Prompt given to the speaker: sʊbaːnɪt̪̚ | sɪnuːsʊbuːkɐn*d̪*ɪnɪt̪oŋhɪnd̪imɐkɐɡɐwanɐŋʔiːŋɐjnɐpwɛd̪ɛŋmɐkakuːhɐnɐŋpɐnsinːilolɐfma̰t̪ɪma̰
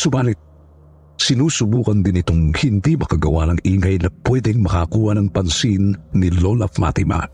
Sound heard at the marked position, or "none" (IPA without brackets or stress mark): d̪